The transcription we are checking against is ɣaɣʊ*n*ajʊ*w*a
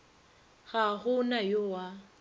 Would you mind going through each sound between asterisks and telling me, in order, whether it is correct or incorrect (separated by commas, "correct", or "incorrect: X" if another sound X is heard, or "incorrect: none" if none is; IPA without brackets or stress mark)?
correct, correct